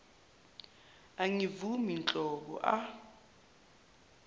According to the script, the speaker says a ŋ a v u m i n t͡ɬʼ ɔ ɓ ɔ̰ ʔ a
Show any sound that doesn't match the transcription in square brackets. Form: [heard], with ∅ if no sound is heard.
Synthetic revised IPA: a ŋ [i] v u m i n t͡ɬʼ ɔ ɓ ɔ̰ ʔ a